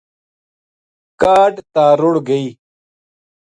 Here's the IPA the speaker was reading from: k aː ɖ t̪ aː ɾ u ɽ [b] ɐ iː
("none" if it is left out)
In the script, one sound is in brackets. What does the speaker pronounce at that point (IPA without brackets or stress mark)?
ɡ